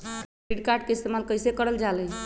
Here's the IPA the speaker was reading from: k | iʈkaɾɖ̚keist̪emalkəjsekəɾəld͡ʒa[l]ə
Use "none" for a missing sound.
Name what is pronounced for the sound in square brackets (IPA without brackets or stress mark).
l